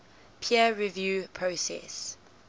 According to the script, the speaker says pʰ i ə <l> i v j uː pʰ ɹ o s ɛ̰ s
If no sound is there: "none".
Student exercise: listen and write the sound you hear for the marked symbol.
ɹ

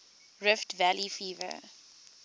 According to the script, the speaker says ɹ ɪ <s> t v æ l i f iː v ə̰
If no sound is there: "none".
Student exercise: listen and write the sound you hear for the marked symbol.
f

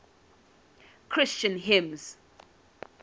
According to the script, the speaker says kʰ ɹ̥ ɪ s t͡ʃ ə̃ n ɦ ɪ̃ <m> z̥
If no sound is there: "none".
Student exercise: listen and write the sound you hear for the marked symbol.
m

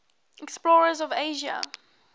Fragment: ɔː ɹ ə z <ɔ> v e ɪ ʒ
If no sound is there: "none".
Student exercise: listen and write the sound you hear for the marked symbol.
ɔ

